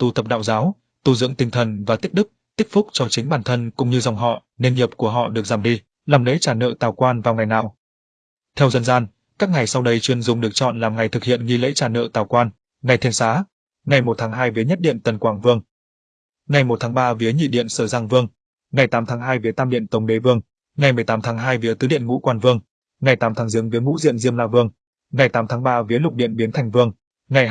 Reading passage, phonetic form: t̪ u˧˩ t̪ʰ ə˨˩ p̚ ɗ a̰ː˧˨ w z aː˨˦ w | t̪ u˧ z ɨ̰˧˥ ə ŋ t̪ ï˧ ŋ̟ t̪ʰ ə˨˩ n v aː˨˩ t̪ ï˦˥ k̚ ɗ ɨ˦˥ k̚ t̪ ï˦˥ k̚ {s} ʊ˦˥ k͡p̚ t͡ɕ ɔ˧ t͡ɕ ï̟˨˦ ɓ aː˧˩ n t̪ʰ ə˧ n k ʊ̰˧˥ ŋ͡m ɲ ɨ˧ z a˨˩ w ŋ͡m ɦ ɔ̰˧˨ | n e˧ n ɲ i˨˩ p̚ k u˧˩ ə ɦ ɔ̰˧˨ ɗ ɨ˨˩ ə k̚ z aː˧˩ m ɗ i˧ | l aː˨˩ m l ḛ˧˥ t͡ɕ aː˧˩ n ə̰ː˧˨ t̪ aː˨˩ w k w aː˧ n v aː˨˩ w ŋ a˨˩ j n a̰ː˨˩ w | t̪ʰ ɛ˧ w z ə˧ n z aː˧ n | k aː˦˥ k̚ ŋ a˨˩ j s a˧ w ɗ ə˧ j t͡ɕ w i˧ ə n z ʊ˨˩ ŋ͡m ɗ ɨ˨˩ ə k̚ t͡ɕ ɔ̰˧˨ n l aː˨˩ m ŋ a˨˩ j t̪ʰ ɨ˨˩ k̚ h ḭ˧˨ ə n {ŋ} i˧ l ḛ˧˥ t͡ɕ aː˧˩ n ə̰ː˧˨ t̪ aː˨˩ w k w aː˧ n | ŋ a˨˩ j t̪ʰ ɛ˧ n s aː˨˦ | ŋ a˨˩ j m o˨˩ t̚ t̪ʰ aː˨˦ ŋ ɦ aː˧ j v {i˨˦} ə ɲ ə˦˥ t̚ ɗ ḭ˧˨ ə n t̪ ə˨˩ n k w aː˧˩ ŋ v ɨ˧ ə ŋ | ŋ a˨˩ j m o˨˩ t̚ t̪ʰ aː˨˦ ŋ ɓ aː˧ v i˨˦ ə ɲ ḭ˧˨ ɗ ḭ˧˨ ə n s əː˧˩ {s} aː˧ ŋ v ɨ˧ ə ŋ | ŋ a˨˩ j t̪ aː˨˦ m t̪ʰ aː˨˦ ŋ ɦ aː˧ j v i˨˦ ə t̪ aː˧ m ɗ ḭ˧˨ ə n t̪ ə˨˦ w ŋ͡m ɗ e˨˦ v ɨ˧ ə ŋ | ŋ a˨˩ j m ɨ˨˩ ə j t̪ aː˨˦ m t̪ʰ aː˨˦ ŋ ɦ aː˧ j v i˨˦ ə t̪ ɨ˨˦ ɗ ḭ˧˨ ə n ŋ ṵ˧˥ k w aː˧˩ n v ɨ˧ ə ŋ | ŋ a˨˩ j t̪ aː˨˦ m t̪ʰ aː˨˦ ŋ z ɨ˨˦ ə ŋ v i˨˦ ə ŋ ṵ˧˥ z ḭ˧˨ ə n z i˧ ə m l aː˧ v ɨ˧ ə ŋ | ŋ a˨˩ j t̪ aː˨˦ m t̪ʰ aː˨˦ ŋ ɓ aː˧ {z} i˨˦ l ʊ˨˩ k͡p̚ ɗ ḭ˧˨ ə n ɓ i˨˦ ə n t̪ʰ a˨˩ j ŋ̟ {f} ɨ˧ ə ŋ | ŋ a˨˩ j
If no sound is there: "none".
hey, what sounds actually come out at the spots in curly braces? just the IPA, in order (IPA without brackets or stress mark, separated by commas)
f, ŋ, i˨˦, z, v, v